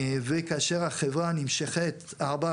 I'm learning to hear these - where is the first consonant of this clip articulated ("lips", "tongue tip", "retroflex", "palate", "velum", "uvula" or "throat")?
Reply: lips